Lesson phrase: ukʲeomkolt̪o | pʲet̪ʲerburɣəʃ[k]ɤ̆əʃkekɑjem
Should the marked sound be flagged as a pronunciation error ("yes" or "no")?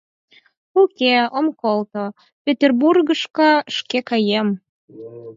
no